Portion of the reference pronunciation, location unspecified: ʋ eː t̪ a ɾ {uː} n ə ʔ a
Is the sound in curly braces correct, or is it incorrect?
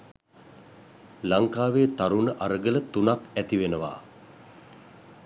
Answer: incorrect